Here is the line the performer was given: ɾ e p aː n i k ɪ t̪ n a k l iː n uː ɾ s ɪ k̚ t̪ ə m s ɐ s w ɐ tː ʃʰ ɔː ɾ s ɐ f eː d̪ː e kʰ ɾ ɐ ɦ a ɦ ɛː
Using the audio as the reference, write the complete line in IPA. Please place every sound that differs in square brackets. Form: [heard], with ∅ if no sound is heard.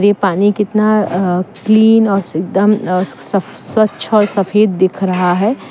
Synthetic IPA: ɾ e p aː n i k ɪ t̪ n a k l iː n [ɔː] ɾ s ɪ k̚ [d̪] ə m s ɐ s w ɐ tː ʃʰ ɔː ɾ s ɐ f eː d̪ː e kʰ ɾ ɐ ɦ a ɦ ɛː